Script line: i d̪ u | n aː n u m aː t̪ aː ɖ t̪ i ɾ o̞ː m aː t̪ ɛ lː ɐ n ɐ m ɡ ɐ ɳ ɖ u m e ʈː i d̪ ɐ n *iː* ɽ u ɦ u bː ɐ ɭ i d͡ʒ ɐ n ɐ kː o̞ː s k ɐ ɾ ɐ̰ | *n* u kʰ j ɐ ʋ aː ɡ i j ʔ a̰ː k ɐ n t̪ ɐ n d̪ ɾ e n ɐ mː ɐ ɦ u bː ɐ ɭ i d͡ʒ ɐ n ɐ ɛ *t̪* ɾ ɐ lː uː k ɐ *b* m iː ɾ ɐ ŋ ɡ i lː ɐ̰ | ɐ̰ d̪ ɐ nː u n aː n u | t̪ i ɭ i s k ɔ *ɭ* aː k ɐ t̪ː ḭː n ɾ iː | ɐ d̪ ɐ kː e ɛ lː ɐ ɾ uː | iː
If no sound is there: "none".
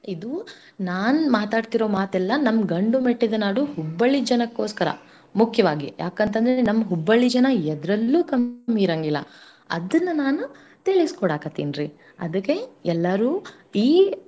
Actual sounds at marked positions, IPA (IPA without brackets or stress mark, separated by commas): aː, m, d̪, m, ɽ